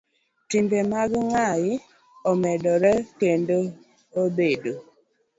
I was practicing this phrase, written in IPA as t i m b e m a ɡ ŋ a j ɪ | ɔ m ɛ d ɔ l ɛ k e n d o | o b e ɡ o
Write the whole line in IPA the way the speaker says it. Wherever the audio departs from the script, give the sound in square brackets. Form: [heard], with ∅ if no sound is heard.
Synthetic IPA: t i m b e m a ɡ ŋ a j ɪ | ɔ m ɛ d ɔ [ɾ] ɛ k e n d o | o b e [d] o